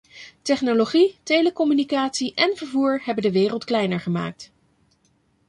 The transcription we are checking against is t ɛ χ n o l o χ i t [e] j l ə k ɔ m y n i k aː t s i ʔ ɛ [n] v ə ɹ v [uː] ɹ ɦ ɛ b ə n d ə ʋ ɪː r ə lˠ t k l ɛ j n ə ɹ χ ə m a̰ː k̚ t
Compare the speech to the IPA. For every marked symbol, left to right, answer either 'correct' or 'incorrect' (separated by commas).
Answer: correct, correct, correct